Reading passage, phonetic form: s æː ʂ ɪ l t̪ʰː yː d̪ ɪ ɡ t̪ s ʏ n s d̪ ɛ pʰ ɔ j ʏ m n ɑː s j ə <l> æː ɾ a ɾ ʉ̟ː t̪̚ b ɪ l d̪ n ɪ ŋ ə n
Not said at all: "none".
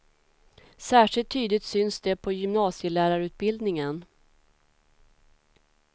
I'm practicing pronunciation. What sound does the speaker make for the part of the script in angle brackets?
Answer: l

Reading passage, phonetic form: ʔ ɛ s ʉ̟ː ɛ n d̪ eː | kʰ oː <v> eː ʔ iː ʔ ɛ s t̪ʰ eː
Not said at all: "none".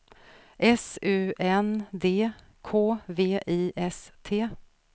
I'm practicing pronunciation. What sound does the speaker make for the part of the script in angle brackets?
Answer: v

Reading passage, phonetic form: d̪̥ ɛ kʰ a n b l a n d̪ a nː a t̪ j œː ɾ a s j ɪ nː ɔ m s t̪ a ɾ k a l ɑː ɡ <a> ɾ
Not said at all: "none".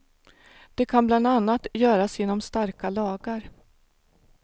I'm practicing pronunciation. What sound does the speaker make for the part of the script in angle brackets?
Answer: a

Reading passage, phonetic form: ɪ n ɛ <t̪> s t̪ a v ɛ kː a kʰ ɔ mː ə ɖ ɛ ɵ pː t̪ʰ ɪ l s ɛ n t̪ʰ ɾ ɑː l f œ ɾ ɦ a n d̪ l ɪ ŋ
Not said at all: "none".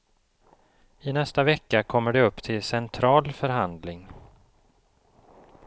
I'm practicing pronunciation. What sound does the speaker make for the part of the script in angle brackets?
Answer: none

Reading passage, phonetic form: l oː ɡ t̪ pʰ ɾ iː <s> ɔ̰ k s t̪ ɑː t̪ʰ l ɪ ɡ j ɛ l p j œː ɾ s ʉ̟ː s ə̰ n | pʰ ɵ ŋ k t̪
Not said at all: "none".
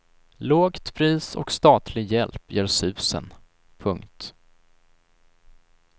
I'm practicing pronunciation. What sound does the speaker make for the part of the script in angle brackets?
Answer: s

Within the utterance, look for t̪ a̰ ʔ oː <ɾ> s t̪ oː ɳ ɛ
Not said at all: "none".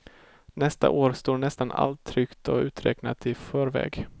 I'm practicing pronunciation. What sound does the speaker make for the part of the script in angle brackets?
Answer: ɾ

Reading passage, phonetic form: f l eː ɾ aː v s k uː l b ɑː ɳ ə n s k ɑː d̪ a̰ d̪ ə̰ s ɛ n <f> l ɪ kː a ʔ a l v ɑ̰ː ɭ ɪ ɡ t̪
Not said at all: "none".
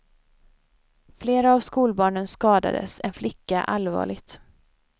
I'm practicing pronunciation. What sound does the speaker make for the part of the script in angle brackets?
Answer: f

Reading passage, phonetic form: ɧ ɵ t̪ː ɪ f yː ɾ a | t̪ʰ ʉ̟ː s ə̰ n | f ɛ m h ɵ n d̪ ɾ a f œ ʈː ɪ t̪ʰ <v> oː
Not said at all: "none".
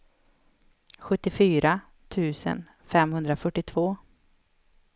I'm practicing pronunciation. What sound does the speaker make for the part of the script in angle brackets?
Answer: v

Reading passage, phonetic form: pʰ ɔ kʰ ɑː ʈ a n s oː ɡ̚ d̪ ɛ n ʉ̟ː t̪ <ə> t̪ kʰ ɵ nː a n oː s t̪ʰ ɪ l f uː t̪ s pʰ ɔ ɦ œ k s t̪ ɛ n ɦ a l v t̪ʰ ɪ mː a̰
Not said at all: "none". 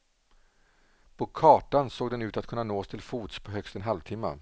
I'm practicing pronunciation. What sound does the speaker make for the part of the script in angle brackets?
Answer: a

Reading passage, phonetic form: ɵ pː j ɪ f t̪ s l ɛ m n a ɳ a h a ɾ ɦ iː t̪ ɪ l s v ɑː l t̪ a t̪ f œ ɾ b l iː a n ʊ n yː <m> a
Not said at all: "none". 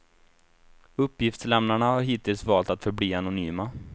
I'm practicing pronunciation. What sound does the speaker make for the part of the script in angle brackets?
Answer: m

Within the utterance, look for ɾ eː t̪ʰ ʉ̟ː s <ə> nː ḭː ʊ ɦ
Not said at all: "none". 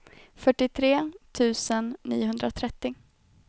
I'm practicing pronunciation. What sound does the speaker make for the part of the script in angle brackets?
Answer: ə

